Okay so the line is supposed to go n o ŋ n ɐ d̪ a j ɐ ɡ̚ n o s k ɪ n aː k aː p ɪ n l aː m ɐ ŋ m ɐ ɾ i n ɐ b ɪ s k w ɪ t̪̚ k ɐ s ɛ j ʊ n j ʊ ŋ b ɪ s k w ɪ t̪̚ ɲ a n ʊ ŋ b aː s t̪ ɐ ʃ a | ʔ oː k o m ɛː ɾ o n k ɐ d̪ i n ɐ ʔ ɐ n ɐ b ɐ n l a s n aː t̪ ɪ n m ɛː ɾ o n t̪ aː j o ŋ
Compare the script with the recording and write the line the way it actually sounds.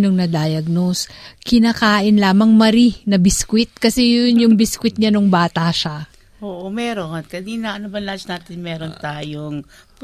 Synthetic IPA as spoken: n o ŋ n ɐ d̪ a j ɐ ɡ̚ n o s k ɪ n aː k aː ʔ ɪ n l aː m ɐ ŋ m ɐ ɾ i n ɐ b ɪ s k w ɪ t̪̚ k ɐ s ɛ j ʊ n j ʊ ŋ b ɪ s k w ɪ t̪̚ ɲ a n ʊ ŋ b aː t̪ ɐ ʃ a | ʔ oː ʔ o m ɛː ɾ o n k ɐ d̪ i n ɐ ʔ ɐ n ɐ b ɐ n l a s n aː t̪ ɪ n m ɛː ɾ o n t̪ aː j o ŋ